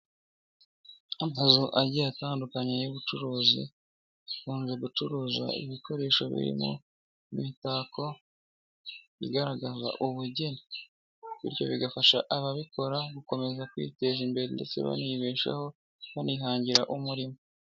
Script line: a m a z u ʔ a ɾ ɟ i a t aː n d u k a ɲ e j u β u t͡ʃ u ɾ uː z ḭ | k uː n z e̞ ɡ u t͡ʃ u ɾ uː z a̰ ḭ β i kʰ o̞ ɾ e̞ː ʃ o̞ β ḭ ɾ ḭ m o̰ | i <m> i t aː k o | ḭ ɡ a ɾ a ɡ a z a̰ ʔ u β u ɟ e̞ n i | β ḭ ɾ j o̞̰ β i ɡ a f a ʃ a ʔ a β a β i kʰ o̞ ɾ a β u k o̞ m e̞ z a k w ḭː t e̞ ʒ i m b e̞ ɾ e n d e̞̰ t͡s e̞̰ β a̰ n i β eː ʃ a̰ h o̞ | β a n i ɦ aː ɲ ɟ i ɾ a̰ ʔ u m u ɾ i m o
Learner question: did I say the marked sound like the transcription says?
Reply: yes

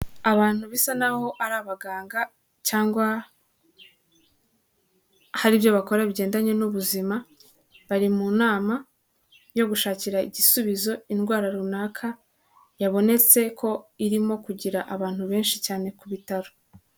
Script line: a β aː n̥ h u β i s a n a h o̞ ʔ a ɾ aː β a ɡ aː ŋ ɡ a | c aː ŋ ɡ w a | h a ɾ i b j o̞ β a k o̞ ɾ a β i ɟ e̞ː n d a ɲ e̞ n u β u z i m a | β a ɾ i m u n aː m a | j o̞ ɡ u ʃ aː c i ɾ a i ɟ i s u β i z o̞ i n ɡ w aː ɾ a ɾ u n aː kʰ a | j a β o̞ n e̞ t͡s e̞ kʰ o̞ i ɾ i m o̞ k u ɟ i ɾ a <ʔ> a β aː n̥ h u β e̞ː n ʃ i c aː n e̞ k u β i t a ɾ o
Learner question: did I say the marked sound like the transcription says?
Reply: yes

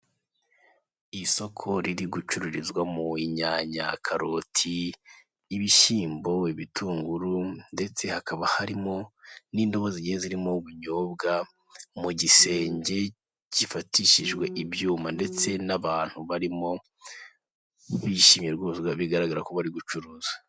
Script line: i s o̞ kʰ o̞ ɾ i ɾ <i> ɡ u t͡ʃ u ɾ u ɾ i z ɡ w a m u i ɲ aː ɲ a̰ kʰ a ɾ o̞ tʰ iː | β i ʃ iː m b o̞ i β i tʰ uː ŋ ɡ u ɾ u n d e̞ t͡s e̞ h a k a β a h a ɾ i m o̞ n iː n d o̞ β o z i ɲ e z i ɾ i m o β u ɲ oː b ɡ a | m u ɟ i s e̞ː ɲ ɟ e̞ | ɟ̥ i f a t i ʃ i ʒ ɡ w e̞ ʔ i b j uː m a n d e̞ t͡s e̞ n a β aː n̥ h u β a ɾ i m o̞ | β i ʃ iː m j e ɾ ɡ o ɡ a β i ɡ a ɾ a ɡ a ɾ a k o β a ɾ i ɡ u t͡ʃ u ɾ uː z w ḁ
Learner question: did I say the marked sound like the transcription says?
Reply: yes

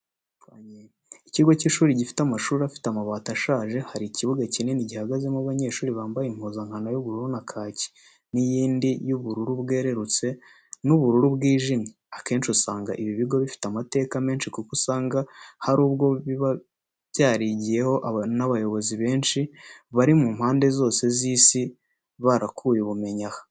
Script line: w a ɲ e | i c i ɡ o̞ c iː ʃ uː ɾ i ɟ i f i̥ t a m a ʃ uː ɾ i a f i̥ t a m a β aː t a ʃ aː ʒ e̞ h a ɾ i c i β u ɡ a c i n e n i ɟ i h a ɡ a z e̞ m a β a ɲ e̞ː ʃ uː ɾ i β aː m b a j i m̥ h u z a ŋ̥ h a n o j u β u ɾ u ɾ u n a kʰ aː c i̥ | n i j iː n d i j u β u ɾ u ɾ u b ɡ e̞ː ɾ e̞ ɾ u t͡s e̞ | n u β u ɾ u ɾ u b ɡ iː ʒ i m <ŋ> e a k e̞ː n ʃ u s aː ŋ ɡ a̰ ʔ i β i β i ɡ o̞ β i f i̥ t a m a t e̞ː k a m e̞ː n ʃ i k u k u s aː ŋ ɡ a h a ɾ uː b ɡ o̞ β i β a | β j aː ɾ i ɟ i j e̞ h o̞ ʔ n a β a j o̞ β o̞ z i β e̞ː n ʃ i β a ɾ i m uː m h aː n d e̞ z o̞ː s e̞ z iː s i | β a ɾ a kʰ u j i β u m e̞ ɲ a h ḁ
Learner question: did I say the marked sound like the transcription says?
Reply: no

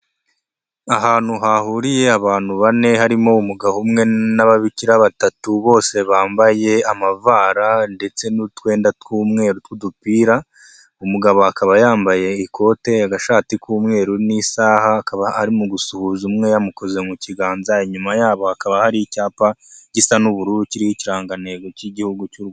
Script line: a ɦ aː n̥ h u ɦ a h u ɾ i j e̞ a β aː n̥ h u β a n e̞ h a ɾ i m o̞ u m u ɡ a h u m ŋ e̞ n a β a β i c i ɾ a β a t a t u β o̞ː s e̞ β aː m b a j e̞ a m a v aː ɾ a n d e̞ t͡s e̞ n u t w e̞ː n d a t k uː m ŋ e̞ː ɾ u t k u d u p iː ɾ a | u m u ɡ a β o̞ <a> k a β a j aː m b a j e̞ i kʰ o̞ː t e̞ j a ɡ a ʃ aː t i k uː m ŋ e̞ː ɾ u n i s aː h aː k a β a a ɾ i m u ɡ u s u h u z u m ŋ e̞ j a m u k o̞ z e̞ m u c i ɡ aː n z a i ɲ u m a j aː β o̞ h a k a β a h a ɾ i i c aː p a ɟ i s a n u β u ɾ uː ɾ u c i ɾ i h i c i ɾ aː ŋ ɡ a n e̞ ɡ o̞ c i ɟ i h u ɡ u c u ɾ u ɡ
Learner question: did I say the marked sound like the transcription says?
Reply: yes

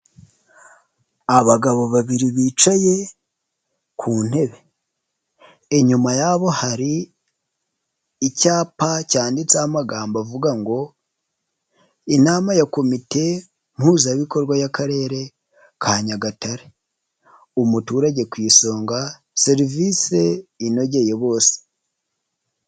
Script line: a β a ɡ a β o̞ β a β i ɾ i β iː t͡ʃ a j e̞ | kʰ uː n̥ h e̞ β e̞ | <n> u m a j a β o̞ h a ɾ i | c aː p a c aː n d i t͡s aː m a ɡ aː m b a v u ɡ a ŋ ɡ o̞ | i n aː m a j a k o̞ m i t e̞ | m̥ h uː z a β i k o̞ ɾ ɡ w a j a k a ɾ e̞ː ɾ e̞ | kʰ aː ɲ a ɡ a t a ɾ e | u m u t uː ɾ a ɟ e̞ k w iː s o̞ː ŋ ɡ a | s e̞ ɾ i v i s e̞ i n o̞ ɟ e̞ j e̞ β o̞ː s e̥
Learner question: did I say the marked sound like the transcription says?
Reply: no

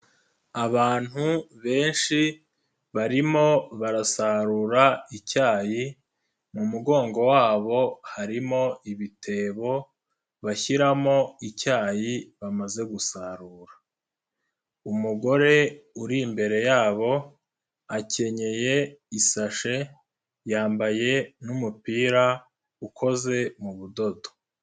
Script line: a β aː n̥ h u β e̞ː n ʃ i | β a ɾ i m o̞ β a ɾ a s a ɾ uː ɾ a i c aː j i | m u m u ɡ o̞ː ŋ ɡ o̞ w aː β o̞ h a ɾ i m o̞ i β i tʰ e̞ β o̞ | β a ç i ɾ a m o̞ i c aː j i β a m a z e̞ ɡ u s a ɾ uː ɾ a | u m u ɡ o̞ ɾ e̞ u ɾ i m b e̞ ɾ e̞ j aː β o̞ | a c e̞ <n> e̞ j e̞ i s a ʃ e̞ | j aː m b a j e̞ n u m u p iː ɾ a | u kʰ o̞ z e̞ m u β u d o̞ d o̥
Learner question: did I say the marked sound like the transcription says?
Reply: no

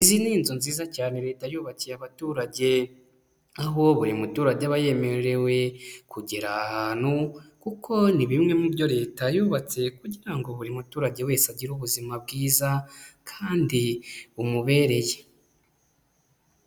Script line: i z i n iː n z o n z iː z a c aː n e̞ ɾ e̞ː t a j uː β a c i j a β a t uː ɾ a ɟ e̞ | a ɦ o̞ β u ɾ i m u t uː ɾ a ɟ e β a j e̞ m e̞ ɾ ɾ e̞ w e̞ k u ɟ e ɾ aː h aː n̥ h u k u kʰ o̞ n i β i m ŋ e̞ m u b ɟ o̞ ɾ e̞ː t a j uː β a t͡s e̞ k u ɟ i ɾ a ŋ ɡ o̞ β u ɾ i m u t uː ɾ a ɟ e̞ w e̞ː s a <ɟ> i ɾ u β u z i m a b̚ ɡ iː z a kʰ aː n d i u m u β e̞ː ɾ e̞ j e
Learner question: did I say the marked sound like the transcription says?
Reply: yes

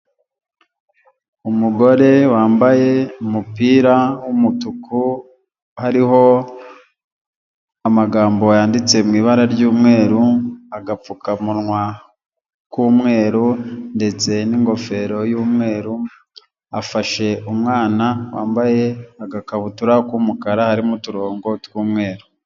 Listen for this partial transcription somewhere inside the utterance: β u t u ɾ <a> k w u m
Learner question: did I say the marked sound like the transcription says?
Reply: yes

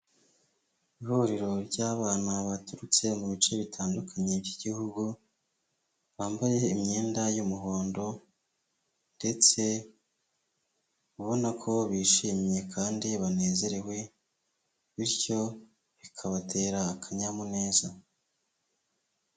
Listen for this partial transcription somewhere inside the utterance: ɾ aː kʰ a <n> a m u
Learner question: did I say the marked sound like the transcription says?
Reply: no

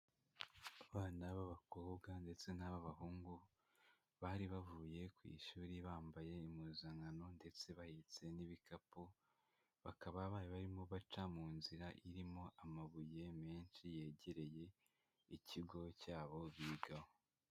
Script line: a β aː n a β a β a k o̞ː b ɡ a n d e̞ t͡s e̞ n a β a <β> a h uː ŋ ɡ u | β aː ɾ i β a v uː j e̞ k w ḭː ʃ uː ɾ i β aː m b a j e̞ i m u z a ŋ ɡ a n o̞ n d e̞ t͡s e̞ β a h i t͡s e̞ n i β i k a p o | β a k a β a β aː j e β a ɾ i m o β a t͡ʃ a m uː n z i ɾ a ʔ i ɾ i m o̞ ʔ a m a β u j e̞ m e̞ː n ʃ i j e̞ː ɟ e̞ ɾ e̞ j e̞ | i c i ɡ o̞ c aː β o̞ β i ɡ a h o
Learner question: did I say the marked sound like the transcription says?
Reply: yes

